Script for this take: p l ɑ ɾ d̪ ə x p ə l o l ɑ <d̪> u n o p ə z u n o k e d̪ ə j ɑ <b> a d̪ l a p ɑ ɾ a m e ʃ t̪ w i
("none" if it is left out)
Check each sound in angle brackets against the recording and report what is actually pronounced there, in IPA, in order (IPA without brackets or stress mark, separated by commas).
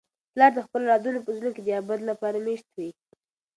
d̪, b